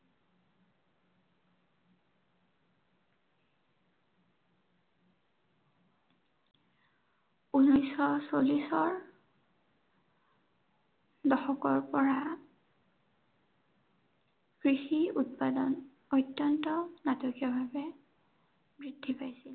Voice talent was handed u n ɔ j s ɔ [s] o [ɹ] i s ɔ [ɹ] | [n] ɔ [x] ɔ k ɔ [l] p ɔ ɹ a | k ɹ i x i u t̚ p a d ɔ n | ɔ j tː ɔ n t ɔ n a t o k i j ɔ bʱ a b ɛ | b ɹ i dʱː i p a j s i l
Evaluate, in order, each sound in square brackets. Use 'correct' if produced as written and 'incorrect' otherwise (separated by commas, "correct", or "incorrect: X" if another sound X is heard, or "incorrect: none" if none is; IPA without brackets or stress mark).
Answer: correct, incorrect: l, correct, incorrect: d, correct, incorrect: ɹ